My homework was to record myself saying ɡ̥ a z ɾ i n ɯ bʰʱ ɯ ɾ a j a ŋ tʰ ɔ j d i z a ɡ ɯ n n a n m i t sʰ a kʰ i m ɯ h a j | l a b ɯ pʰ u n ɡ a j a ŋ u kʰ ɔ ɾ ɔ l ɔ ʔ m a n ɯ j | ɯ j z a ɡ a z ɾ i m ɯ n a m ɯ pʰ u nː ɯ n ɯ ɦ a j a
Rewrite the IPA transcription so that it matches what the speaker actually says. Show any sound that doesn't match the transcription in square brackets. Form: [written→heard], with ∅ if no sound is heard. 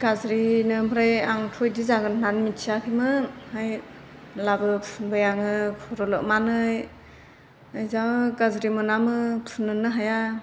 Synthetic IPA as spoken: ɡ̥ a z ɾ i n ɯ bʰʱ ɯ ɾ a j a ŋ tʰ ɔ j d i z a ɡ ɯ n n a n m i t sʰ a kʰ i m ɯ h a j | l a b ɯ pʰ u n [ɡ→b] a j a ŋ [u→ɯ] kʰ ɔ ɾ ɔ l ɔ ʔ m a n ɯ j | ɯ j z a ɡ a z ɾ i m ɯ n a m ɯ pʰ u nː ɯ n ɯ ɦ a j a

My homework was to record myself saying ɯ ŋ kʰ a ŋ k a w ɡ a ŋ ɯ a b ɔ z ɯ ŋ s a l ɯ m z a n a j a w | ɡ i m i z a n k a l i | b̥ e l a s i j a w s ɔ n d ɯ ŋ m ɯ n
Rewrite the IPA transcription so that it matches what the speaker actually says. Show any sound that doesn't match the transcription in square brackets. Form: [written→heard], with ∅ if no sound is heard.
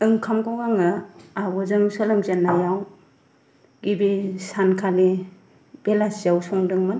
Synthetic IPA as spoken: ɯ ŋ kʰ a [ŋ→m] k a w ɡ a ŋ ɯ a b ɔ z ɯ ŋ s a l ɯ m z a n a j a w | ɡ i [m→b] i [z→s] a n [k→kʰ] a l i | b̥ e l a s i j a w s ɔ [n→ŋ] d ɯ ŋ m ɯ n

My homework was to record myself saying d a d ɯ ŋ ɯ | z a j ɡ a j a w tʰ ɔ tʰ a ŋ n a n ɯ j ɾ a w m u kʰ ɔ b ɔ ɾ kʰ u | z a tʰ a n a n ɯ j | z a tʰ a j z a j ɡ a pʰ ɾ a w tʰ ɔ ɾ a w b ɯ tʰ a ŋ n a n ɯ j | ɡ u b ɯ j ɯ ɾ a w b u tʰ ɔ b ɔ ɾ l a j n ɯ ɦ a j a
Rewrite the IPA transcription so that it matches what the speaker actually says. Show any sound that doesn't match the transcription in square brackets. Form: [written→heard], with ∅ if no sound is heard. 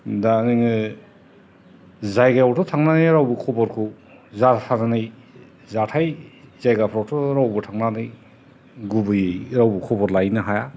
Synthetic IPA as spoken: d a [d→n] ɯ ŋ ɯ | z a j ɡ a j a w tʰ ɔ tʰ a ŋ n a n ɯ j ɾ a w [m→b] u kʰ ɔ b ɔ ɾ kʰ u | z a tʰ a n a n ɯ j | z a tʰ a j z a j ɡ a pʰ ɾ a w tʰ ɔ ɾ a w b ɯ tʰ a ŋ n a n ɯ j | ɡ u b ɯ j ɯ ɾ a w b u [tʰ→kʰ] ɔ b ɔ ɾ l a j n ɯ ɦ a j a

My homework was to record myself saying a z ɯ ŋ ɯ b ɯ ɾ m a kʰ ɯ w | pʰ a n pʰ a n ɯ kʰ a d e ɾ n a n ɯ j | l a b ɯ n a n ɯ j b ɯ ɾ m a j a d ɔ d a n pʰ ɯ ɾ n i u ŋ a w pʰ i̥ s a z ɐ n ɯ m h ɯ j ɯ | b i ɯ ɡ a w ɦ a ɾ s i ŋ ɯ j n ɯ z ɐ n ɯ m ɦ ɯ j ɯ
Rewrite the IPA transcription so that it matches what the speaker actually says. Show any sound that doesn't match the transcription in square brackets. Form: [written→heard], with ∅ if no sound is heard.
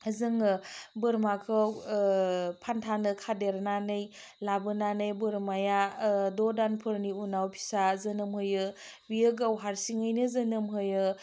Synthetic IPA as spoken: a z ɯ ŋ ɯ b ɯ ɾ m a kʰ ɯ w | pʰ a n [pʰ→tʰ] a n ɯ kʰ a d e ɾ n a n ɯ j | l a b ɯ n a n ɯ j b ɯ ɾ m a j a d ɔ d a n pʰ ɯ ɾ n i u [ŋ→n] a w pʰ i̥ s a z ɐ n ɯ m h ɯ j ɯ | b i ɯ ɡ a w ɦ a ɾ s i ŋ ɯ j n ɯ z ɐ n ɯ m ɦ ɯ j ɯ

